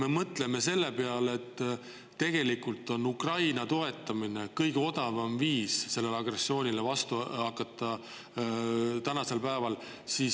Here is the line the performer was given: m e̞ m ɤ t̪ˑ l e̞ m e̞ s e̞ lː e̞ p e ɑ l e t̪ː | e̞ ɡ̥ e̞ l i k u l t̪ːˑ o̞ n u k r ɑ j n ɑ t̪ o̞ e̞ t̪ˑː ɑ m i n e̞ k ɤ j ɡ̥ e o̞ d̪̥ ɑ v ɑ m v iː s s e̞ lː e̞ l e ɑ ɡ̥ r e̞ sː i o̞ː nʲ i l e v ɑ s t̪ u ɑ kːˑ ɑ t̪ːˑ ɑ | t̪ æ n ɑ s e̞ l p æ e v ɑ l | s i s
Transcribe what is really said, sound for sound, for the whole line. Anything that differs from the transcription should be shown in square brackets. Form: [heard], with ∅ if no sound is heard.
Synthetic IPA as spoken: m e̞ m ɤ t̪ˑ l e̞ m e̞ s e̞ lː e̞ p e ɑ l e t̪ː | e̞ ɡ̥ e̞ l i k u l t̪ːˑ o̞ n u k r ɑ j n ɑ t̪ o̞ e̞ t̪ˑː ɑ m i n e̞ k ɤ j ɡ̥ e o̞ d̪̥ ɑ v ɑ m v iː s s e̞ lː e̞ l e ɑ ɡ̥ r e̞ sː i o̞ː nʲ i l e v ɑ s t̪ u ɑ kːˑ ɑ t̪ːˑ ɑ | t̪ æ n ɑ s e̞ l p æ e v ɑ l | s i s